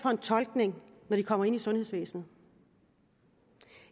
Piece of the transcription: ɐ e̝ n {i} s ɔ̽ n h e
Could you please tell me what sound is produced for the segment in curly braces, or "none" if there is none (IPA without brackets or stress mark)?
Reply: i